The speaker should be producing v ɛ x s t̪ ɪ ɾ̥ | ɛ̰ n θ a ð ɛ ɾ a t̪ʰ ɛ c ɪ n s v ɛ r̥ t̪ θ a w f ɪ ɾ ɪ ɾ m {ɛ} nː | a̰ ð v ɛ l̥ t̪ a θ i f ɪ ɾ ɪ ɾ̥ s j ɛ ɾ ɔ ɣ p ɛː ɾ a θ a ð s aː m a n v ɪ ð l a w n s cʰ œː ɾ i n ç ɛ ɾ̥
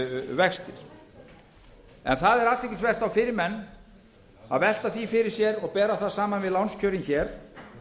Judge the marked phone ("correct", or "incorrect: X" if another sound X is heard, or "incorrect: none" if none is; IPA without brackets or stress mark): correct